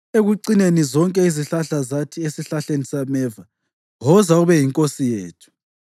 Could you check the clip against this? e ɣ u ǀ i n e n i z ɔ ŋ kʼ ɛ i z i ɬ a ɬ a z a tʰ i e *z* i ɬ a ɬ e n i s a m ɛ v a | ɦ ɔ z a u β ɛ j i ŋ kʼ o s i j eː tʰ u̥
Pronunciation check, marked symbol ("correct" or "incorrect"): incorrect